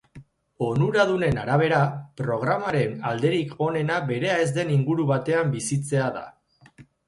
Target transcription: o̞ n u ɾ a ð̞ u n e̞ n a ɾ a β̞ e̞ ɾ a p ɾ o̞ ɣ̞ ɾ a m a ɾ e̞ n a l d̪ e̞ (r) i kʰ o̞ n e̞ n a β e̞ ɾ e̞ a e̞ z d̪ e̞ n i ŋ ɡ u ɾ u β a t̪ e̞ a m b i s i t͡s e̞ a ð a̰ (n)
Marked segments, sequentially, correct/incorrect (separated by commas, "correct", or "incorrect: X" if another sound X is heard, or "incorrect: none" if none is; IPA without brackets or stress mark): incorrect: ɾ, incorrect: none